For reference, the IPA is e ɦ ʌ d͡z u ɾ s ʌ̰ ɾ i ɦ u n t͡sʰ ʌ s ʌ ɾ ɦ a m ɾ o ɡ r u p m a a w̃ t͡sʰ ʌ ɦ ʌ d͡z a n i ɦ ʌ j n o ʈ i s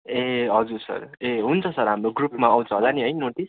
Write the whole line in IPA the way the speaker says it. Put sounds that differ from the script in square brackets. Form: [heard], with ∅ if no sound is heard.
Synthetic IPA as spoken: e ɦ ʌ d͡z u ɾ s ʌ̰ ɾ [e] ɦ u n t͡sʰ ʌ s ʌ ɾ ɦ a m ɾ o ɡ r u p m a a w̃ t͡sʰ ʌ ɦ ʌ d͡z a n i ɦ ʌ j n o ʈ i s